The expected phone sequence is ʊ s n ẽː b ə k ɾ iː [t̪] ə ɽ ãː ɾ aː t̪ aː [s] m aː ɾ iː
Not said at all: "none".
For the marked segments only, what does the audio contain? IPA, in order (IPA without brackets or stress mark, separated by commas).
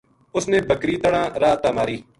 t̪, none